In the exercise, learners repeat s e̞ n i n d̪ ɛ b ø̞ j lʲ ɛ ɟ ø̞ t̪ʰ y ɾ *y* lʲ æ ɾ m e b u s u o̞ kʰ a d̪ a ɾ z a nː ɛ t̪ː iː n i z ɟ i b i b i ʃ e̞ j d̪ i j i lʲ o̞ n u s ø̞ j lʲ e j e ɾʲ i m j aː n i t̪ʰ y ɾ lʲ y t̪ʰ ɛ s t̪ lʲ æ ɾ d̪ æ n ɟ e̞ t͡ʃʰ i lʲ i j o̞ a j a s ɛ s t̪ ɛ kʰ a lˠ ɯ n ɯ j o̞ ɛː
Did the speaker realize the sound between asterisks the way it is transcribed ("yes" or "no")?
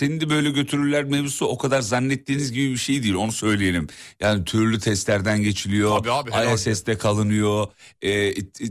yes